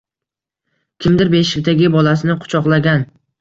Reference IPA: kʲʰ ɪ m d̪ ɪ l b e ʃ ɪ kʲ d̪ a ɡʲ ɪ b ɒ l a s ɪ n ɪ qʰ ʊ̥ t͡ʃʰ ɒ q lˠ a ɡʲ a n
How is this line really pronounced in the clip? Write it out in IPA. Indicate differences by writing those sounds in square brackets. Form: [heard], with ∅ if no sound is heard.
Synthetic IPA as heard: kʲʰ ɪ m d̪ ɪ [ɾ] b e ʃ ɪ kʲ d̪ a ɡʲ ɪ b ɒ l a s ɪ n ɪ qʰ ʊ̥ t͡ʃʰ ɒ q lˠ a ɡʲ a n